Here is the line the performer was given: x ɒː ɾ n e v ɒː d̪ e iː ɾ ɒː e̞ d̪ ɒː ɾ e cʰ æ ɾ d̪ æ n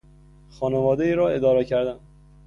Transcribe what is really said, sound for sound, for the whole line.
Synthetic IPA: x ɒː n e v ɒː d̪ e iː ɾ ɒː e̞ d̪ ɒː ɾ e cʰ æ ɾ d̪ æ n